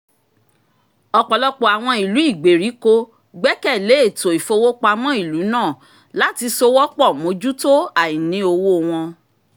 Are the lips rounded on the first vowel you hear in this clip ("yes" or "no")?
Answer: yes